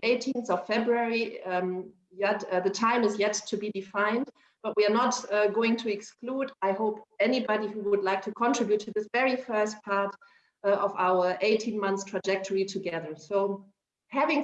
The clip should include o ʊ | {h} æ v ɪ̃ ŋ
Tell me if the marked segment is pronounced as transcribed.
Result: yes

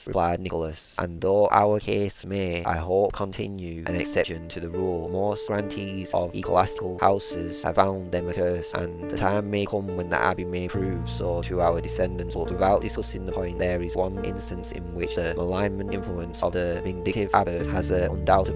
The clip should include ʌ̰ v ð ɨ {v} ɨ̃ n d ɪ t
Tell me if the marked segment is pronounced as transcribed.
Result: yes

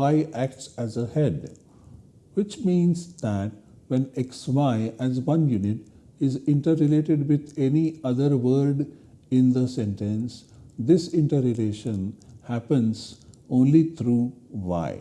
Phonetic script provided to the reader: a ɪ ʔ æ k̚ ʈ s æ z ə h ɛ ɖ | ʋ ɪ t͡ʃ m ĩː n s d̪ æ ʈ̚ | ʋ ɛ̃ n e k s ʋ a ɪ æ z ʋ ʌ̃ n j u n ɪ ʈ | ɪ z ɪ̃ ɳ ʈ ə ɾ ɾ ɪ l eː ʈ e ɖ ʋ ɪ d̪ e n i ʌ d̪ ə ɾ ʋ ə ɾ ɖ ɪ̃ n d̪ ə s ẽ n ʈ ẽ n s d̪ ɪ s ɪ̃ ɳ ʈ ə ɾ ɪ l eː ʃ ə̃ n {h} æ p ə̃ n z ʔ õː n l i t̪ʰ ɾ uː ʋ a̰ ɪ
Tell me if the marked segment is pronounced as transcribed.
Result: yes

